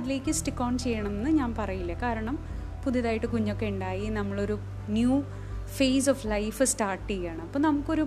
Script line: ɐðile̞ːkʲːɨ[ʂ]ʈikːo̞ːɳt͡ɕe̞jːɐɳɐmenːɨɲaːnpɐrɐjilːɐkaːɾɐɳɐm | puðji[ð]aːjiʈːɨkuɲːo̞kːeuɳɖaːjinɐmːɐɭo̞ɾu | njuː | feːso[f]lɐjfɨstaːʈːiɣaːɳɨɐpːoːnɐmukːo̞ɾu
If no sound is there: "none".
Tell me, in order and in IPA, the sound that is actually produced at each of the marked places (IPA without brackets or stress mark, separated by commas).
s, ð, f